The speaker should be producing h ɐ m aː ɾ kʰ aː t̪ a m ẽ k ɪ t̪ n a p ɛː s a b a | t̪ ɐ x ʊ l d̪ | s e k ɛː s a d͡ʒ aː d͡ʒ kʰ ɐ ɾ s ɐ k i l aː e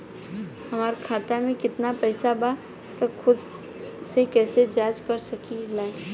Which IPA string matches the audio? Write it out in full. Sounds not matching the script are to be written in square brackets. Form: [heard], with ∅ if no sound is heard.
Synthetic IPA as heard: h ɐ m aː ɾ kʰ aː t̪ a m ẽ k ɪ t̪ n a p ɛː s a b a | t̪ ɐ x ʊ [∅] d̪ | s e k ɛː s [e] d͡ʒ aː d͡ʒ [k] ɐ ɾ s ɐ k i l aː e

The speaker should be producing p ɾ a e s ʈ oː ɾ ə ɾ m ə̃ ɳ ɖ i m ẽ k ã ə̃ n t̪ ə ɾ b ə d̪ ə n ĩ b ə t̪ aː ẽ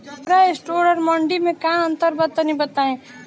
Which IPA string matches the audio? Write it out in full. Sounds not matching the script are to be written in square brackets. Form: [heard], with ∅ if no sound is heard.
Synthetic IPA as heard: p ɾ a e s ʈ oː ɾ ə ɾ m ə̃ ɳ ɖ i m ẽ k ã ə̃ n t̪ ə ɾ b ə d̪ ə n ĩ b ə t̪ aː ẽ

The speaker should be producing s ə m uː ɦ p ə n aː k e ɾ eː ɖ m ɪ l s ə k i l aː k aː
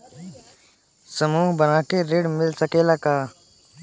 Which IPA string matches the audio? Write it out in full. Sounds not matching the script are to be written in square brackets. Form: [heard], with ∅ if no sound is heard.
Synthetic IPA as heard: s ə m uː ɦ [b] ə n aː k e ɾ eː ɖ m ɪ l s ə k [e] l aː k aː

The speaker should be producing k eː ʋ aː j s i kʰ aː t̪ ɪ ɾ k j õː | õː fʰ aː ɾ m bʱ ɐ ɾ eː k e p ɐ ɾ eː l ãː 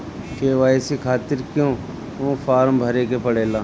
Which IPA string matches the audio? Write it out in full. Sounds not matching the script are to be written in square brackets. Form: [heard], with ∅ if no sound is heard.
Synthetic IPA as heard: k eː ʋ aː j s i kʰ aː t̪ ɪ ɾ k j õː | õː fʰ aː ɾ m bʱ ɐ ɾ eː k e p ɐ [ɽ] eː l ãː

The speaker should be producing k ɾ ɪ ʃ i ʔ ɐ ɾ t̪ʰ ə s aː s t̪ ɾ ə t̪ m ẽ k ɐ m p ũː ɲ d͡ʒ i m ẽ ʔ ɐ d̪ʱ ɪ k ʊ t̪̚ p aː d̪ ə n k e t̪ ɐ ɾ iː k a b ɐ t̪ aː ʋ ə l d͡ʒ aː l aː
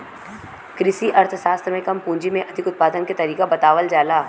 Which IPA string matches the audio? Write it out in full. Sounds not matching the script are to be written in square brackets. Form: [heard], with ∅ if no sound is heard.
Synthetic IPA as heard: k ɾ ɪ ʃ i ʔ ɐ ɾ t̪ʰ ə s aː s t̪ ɾ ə [∅] m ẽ k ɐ m p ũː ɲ d͡ʒ i m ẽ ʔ ɐ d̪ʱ ɪ k ʊ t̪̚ p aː d̪ ə n k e t̪ ɐ ɾ iː k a b ɐ t̪ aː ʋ ə l d͡ʒ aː l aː

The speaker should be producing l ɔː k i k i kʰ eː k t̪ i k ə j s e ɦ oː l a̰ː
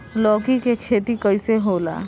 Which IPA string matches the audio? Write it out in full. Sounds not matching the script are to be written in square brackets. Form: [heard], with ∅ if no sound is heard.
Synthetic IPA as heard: l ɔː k i k [e] kʰ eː [∅] t̪ i k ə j s e ɦ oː l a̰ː

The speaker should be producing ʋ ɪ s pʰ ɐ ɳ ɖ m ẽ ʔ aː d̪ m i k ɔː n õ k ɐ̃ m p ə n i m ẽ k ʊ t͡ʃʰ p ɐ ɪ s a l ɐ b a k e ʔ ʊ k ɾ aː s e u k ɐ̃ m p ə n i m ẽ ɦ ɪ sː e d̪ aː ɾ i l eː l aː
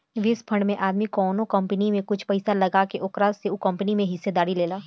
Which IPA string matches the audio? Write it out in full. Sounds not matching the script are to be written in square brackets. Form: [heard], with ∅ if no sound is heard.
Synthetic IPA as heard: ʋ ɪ s pʰ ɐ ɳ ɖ m ẽ ʔ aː d̪ m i k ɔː n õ k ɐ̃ m p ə n i m ẽ k ʊ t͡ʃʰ p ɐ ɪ s a l ɐ [ɡ] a k e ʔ ʊ k ɾ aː s e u k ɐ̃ m p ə n i m ẽ ɦ ɪ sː e d̪ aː ɾ i l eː l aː

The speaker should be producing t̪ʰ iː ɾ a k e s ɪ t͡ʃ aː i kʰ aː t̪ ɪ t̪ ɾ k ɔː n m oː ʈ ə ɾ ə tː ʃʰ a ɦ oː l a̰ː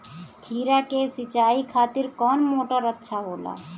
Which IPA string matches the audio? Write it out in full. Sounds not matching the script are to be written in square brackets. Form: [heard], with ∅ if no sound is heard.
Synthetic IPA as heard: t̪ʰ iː ɾ a k e s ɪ t͡ʃ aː i kʰ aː t̪ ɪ [∅] ɾ k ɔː n m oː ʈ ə ɾ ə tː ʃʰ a ɦ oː l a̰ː

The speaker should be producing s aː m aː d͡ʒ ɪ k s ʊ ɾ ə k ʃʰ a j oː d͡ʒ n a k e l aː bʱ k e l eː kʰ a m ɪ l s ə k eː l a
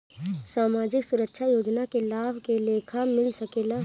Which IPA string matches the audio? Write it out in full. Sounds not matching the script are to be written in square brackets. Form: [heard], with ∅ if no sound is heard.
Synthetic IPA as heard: s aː m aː d͡ʒ ɪ k s ʊ ɾ ə k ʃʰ a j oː d͡ʒ n a k e l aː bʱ k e l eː kʰ a m ɪ l s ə k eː l a

